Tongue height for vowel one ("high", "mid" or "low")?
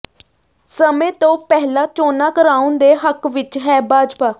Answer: mid